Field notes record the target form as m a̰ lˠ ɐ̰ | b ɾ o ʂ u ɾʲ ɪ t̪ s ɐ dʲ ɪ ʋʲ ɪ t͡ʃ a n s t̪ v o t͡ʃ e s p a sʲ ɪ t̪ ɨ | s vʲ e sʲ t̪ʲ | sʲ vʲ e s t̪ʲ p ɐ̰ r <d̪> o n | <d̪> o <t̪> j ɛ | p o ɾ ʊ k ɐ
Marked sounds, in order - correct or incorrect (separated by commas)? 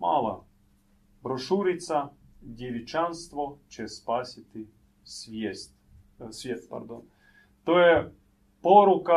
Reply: correct, incorrect, incorrect